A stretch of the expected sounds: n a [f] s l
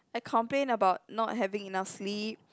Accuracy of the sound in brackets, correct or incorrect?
correct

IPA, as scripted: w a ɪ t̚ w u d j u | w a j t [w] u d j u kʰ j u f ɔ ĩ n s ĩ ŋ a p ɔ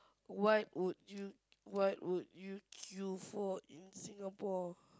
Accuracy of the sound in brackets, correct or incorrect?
correct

